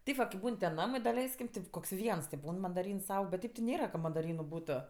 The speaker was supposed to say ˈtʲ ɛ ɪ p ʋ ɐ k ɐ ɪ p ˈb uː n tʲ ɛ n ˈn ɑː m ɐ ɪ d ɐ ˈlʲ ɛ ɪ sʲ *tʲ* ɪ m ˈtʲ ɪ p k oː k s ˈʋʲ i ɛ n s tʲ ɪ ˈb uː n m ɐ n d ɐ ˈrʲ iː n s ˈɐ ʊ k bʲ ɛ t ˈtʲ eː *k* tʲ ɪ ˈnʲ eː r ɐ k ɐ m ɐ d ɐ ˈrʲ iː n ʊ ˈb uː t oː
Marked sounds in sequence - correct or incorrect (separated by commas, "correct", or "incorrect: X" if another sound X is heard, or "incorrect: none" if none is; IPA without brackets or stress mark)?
incorrect: kʲ, incorrect: p